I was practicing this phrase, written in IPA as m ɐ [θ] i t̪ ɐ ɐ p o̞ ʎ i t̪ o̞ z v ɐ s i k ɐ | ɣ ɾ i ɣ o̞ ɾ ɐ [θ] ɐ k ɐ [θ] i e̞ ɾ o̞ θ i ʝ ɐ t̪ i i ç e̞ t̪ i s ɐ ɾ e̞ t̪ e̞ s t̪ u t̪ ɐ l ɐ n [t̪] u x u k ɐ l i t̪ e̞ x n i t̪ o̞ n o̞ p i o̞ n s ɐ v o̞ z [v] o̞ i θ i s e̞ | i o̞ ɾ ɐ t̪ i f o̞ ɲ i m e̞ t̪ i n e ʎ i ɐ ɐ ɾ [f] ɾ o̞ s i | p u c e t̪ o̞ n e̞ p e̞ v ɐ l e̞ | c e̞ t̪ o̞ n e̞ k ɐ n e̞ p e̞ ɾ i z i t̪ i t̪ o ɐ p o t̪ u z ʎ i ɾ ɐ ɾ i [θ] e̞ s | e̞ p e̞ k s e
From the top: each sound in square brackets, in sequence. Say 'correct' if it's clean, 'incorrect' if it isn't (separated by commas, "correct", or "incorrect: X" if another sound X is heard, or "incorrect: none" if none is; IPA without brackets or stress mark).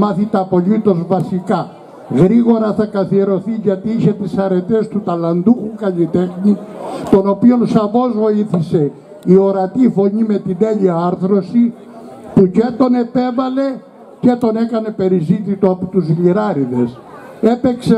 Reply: correct, correct, correct, incorrect: d̪, correct, incorrect: θ, incorrect: ð